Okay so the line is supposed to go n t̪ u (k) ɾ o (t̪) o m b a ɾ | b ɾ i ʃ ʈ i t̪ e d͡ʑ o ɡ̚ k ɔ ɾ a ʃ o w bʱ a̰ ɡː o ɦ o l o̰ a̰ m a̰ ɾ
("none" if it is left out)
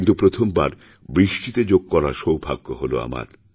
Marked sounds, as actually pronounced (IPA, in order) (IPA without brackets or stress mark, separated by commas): p, t̪ʰ